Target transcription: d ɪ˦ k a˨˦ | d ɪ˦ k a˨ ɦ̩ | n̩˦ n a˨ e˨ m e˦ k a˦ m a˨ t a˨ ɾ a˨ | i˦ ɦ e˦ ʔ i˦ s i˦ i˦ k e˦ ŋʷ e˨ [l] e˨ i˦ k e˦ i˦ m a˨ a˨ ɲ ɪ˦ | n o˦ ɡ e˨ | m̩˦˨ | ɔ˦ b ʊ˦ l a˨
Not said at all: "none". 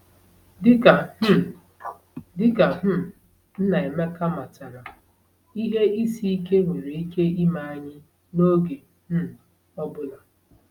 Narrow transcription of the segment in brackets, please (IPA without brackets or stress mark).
ɾ